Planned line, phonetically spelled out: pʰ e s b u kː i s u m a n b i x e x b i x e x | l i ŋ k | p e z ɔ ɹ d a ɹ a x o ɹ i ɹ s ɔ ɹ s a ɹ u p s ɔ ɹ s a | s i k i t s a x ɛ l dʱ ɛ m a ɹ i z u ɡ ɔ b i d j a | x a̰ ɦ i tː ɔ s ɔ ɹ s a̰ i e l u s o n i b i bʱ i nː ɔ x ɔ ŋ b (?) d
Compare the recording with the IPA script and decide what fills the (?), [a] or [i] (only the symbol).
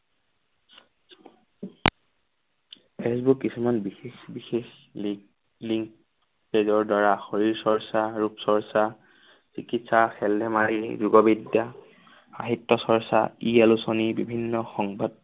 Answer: a